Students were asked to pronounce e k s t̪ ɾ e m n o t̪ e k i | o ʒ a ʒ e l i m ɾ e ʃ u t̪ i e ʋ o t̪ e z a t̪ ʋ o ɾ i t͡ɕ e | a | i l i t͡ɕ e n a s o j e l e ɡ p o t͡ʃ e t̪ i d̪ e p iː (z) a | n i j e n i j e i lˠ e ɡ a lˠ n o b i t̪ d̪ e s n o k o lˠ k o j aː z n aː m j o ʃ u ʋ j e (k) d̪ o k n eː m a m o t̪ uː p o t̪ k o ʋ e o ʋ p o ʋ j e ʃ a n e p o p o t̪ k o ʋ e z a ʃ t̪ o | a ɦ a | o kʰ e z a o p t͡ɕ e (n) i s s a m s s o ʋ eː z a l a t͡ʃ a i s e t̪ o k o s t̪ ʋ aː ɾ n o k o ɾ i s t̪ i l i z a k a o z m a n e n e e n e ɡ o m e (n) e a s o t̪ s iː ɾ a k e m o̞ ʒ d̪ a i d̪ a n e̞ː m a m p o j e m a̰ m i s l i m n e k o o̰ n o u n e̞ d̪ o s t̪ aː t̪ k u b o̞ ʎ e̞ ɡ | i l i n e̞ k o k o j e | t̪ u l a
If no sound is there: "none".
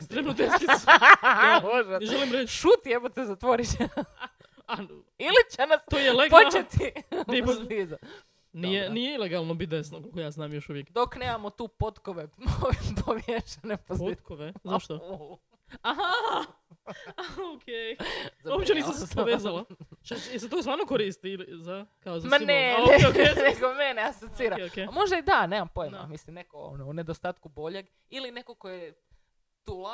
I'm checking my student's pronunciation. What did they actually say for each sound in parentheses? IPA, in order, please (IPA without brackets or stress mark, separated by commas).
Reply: z, k, n, n